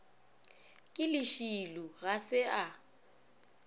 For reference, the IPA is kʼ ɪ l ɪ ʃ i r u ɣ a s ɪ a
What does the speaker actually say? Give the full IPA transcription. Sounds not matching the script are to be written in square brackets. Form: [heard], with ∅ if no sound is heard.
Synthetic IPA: kʼ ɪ l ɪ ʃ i [l] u ɣ a s ɪ a